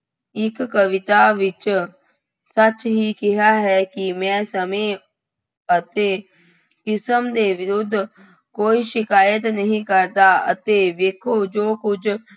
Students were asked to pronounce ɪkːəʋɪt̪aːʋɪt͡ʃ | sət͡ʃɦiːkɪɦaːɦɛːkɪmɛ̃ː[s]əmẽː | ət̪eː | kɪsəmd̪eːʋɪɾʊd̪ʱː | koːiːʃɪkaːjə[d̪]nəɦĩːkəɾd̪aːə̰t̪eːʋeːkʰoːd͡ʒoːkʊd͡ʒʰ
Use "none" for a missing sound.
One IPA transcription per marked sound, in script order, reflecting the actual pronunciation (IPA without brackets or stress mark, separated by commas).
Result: s, t̪